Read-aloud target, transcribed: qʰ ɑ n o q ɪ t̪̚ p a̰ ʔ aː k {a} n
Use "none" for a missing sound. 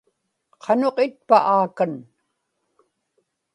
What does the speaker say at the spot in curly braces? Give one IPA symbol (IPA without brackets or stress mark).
a